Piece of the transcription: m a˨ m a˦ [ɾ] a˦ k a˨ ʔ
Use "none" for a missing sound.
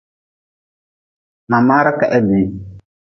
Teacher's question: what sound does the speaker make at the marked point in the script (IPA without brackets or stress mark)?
ɾ